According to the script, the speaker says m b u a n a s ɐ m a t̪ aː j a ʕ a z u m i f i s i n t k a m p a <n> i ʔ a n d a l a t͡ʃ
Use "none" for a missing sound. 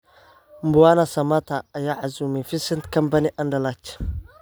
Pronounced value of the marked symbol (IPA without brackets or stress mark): n